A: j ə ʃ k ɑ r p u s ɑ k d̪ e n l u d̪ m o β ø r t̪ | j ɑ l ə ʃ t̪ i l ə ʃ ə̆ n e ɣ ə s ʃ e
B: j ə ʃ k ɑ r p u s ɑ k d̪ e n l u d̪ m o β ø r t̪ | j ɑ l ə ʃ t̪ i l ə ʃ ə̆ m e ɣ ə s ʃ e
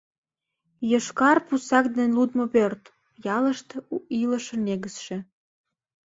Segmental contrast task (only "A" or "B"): A